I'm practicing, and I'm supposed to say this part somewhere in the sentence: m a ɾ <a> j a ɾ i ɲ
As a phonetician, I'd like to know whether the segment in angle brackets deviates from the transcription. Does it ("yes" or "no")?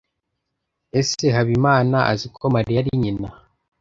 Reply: yes